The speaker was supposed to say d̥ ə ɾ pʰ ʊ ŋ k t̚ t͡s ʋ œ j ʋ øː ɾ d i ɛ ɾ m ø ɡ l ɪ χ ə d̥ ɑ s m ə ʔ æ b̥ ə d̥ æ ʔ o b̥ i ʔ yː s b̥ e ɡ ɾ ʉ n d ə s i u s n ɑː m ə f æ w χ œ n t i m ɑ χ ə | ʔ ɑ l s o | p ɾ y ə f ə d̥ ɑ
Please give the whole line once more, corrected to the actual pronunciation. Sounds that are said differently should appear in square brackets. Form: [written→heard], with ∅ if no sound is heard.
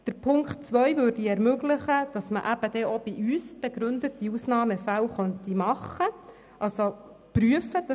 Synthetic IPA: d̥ ə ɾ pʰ ʊ ŋ k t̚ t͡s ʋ œ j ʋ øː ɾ d i ɛ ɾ m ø ɡ l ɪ χ ə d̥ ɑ s m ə ʔ æ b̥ ə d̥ [æ→ɛ] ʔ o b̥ i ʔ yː s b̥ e ɡ ɾ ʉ n d ə [s→t] i u s n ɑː m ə f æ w χ œ n t i m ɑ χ ə | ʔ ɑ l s o | p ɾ y ə f ə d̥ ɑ